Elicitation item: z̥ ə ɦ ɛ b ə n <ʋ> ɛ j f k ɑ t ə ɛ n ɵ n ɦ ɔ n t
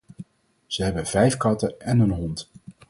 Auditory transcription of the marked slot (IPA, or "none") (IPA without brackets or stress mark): v